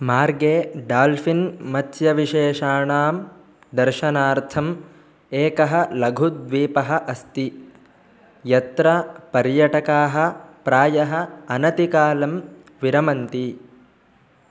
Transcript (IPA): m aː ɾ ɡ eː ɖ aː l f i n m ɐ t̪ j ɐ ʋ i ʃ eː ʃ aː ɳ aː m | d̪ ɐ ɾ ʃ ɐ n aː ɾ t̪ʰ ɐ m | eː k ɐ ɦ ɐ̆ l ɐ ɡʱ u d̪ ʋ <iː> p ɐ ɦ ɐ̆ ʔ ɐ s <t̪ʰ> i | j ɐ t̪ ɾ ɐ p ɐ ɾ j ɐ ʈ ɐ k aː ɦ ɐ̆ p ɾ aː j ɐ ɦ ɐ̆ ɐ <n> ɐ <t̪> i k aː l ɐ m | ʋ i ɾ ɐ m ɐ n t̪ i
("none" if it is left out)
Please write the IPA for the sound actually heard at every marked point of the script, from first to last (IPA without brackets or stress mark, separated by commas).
iː, t̪, n, t̪